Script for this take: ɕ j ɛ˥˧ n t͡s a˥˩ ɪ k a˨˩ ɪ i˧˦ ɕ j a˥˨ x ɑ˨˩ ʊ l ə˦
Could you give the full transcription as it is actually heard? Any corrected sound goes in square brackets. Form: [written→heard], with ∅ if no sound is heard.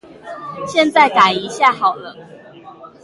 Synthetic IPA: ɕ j ɛ˥˧ n t͡s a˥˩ ɪ k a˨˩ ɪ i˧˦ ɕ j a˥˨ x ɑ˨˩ ʊ l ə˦